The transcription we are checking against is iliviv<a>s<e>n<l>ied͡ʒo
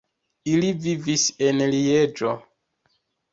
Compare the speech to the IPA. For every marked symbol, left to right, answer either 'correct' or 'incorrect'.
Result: incorrect: i, correct, correct

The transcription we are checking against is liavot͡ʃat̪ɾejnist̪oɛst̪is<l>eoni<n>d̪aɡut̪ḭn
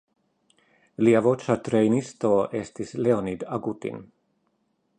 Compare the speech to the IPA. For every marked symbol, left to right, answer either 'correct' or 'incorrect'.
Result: correct, incorrect: none

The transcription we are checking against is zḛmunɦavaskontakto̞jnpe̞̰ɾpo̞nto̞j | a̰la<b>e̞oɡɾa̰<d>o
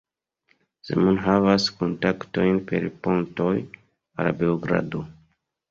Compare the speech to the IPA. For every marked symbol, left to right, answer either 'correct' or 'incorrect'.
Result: correct, correct

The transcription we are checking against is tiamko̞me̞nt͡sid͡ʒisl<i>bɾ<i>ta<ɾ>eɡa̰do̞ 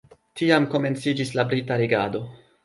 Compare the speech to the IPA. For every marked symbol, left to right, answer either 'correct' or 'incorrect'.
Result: incorrect: a, correct, correct

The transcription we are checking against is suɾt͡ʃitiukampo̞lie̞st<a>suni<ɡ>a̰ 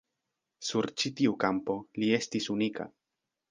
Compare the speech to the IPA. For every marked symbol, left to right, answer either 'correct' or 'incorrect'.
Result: incorrect: i, incorrect: k

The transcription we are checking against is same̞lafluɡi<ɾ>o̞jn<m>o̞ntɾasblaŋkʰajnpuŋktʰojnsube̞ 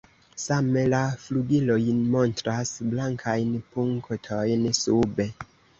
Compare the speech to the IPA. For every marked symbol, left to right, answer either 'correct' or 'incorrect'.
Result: incorrect: l, correct

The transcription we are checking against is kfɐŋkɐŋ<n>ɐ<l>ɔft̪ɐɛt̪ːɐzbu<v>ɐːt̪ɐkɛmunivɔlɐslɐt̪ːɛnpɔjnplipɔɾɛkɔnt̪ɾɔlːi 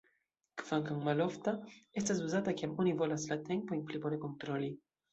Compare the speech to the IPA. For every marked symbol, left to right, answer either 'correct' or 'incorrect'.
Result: incorrect: m, correct, incorrect: z

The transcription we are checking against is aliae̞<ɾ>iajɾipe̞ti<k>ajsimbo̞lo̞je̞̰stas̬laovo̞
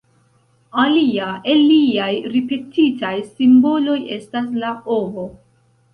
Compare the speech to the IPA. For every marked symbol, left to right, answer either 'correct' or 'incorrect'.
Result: incorrect: l, incorrect: t

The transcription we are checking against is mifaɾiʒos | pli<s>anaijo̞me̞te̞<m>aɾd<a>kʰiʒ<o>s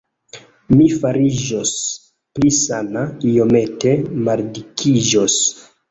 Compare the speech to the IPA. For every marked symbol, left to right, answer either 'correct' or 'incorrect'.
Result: correct, correct, incorrect: i, correct

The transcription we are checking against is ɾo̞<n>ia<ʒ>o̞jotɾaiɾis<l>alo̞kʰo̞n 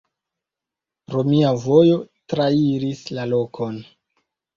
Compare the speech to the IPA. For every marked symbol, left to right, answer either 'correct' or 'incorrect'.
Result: incorrect: m, incorrect: v, correct

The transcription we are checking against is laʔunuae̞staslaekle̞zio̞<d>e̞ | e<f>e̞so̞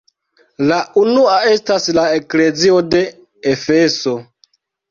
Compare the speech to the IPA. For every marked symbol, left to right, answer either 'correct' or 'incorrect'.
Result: correct, correct

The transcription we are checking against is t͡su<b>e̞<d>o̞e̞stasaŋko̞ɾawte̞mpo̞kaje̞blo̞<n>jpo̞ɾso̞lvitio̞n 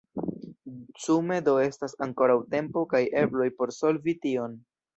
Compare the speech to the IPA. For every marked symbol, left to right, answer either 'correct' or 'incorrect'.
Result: incorrect: m, correct, incorrect: none

